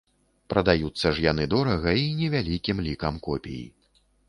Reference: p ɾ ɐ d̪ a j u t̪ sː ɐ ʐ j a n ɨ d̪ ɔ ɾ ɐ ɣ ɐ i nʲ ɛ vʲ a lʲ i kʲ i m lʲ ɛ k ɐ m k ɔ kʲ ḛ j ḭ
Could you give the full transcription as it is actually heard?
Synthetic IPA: p ɾ ɐ d̪ a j u t̪ sː ɐ ʐ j a n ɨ d̪ ɔ ɾ ɐ ɣ ɐ i nʲ ɛ vʲ a lʲ i kʲ i m lʲ i k ɐ m k ɔ pʲ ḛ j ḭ